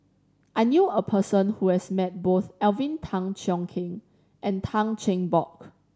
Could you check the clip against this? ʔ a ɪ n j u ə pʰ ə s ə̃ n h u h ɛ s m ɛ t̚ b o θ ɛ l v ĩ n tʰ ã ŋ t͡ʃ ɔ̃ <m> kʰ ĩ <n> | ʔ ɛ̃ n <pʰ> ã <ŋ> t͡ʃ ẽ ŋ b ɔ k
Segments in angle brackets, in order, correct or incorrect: incorrect: ŋ, incorrect: ŋ, incorrect: tʰ, correct

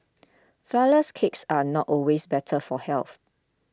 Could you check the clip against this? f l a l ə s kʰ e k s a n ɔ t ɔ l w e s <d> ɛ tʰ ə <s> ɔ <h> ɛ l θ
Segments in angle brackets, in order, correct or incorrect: incorrect: b, incorrect: f, correct

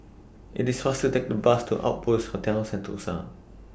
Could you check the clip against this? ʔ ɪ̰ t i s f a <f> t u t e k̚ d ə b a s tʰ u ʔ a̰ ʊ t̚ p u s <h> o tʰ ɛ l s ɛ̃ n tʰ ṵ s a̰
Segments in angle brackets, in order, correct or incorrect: incorrect: s, correct

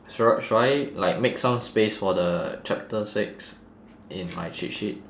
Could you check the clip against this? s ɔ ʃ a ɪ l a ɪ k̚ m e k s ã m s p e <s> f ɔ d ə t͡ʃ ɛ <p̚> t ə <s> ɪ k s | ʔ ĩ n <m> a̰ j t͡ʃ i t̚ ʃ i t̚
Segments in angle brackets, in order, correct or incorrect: correct, correct, correct, correct

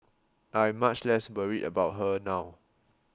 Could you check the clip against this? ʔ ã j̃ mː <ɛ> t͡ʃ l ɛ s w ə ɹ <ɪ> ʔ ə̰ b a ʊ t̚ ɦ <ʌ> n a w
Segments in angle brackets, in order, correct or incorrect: incorrect: a, incorrect: i, incorrect: ə

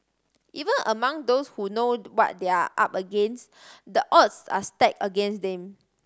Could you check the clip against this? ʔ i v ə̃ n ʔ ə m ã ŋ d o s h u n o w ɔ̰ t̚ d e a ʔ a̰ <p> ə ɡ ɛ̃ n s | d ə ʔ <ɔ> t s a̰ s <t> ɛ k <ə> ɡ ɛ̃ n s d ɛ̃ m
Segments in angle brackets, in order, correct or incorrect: correct, correct, correct, correct

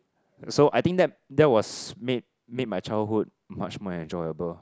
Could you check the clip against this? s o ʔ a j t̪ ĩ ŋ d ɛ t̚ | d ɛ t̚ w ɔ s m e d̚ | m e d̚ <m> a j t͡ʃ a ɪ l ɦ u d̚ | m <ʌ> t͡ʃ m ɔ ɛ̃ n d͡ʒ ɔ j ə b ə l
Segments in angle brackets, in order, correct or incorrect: correct, incorrect: a

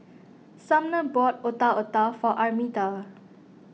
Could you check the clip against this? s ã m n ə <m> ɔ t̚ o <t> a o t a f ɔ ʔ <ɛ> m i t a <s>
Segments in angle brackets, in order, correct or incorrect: incorrect: b, correct, incorrect: a, incorrect: none

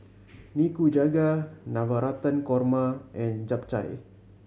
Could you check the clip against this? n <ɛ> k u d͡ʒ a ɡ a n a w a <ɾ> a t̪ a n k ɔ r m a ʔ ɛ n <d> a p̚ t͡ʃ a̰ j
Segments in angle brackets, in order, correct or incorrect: incorrect: i, correct, incorrect: d͡ʒ

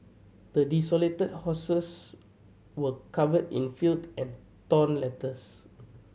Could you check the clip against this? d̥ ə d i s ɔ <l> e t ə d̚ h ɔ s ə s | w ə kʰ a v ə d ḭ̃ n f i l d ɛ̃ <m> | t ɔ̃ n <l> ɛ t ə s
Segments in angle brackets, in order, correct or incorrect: correct, incorrect: n, correct

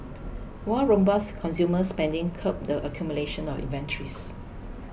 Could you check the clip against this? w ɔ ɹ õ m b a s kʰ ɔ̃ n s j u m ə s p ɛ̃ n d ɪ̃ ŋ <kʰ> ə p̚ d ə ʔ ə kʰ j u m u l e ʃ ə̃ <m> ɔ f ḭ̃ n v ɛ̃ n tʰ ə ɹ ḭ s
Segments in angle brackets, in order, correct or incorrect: correct, incorrect: n

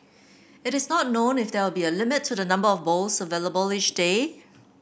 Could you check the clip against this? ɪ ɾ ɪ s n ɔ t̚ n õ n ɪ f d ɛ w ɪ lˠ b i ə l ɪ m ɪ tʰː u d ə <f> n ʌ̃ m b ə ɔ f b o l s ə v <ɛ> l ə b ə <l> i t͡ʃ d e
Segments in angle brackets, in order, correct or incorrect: incorrect: none, incorrect: e, correct

